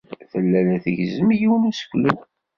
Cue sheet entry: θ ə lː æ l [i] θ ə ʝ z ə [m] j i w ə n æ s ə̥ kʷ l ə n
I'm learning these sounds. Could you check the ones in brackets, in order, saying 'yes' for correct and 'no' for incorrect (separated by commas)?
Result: no, yes